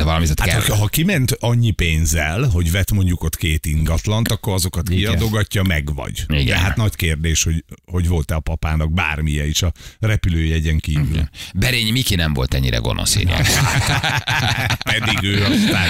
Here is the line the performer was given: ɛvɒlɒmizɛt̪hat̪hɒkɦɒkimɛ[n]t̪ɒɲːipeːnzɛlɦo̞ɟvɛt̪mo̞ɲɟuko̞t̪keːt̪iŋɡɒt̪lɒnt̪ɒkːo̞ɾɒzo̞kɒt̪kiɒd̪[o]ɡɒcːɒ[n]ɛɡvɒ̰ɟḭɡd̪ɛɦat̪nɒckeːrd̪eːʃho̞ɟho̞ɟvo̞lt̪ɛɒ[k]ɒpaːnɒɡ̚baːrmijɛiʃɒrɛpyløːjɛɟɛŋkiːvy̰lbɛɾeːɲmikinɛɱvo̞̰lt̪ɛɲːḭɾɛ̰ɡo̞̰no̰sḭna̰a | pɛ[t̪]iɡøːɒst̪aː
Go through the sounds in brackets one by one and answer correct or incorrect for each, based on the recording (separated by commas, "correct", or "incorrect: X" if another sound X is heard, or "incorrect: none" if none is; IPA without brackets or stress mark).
correct, correct, incorrect: m, incorrect: p, incorrect: d̪